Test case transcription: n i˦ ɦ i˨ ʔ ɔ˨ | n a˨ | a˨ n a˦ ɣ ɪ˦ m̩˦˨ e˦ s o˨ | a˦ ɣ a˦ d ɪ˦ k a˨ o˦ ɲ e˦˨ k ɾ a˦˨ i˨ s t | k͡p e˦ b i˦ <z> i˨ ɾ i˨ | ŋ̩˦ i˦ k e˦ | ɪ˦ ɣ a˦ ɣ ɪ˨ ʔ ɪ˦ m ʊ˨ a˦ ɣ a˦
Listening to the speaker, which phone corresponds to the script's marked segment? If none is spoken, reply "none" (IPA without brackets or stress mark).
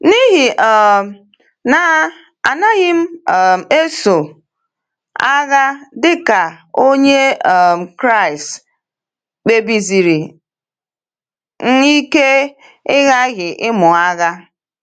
z